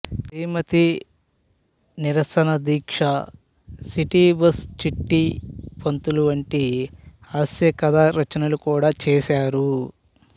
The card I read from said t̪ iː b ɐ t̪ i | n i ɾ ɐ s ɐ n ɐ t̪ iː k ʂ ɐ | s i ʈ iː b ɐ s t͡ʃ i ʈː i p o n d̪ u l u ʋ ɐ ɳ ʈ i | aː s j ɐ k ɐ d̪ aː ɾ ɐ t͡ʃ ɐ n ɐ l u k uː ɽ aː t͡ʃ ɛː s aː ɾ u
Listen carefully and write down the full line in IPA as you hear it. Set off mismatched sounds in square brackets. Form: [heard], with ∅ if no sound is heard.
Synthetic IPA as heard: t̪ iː [m] ɐ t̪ i | n i ɾ ɐ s ɐ n ɐ [d̪] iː k ʂ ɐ | s i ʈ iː b ɐ s t͡ʃ i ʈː i p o n [t̪] u l u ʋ ɐ ɳ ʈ i | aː s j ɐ k ɐ d̪ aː ɾ ɐ t͡ʃ ɐ n ɐ l u k uː ɽ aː t͡ʃ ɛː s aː ɾ u